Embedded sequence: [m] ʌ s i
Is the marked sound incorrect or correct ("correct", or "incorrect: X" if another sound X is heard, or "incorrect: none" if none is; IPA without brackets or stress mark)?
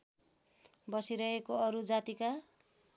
incorrect: b